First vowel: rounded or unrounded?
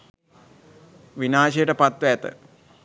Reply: unrounded